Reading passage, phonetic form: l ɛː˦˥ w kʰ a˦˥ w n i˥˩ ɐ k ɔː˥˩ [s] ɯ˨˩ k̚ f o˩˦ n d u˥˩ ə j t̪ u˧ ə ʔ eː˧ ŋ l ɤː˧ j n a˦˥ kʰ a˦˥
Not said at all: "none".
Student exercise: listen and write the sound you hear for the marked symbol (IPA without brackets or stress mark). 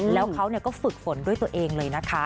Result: f